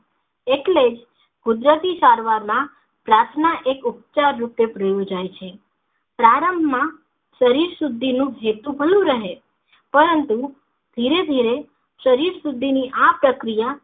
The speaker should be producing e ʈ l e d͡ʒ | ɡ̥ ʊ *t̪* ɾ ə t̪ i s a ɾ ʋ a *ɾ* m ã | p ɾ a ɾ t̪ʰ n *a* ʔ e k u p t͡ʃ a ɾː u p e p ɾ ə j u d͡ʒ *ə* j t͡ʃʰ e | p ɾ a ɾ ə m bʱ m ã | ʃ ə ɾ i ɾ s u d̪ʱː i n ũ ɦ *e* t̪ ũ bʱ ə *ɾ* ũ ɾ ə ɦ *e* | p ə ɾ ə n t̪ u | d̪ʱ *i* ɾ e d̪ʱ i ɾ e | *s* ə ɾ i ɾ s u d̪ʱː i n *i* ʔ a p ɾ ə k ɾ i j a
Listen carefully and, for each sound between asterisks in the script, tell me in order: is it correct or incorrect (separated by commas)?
incorrect, correct, correct, incorrect, correct, incorrect, correct, correct, incorrect, correct